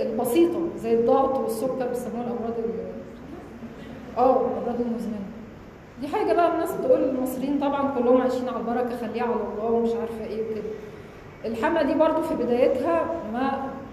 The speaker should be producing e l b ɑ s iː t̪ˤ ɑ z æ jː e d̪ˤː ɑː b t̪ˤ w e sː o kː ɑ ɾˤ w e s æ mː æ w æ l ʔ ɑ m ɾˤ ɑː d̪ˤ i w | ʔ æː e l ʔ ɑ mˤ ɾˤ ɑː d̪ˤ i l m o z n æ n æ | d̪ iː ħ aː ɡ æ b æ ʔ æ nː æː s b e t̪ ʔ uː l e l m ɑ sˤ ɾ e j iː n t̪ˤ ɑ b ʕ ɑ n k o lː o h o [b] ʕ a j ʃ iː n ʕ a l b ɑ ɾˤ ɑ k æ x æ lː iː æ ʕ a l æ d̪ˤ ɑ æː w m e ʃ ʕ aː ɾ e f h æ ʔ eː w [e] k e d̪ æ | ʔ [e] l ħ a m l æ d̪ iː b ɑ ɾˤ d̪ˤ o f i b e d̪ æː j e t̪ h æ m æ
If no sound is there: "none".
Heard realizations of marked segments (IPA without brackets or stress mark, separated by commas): m, e, e